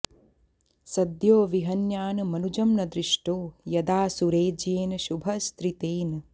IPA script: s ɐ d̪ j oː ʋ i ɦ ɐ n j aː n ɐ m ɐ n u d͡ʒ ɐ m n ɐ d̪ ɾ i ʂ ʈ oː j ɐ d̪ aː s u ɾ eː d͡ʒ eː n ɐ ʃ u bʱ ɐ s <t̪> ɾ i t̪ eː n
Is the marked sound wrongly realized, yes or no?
no